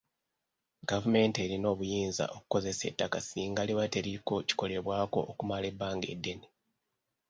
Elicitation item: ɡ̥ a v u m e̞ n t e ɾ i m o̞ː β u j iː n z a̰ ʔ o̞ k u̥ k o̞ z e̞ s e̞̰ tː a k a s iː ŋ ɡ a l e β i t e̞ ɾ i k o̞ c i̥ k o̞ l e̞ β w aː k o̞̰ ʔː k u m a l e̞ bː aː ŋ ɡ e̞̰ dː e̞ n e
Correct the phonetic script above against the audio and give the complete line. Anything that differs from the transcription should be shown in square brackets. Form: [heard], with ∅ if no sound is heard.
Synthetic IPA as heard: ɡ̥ a v u m e̞ n t e ɾ i [n] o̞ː β u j iː n z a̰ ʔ o̞ k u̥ k o̞ z e̞ s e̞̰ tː a k a s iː ŋ ɡ a l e β [a] t e̞ ɾ i k o̞ c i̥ k o̞ l e̞ β w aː k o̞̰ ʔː k u m a l e̞ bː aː ŋ ɡ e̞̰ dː e̞ n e